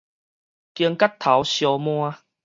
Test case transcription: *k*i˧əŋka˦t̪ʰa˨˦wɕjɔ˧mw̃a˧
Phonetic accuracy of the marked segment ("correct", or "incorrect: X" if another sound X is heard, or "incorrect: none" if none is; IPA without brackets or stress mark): correct